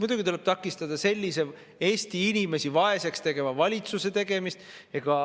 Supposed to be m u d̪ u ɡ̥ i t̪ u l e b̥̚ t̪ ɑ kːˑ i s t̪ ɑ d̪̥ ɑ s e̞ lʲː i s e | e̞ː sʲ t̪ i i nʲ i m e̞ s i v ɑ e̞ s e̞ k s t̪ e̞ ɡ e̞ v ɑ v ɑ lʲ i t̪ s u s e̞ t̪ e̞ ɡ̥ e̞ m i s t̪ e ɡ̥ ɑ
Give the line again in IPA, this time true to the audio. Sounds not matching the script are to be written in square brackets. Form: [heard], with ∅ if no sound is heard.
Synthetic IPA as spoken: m u d̪ u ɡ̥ i t̪ u l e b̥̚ t̪ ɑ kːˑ i s t̪ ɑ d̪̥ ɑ s e̞ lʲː i s e | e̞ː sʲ t̪ i i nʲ i m e̞ s i v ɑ e̞ s e̞ k s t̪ e̞ ɡ e̞ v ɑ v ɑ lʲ i t̪ s u s e̞ t̪ e̞ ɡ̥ e̞ m i s t̪ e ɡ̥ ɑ